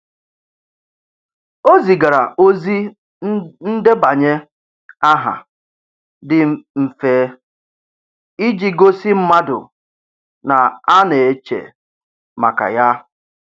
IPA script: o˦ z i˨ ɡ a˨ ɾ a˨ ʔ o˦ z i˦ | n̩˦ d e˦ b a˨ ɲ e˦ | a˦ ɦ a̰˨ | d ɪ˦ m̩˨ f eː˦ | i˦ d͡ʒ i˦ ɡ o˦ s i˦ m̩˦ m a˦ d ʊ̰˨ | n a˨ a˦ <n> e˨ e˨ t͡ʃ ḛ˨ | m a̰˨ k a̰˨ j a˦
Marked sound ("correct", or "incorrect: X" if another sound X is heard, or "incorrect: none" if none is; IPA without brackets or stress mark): correct